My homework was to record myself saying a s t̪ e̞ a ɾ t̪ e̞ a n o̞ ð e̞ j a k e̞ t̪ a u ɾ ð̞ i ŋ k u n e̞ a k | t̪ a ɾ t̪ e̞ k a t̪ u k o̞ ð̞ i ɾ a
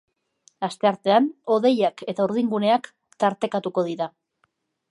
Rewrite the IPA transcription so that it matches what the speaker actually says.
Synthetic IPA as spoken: a s t̪ e̞ a ɾ t̪ e̞ a n o̞ ð e̞ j a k e̞ t̪ a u ɾ ð̞ i ŋ ɡ u n e̞ a k | t̪ a ɾ t̪ e̞ k a t̪ u k o̞ ð̞ i ɾ a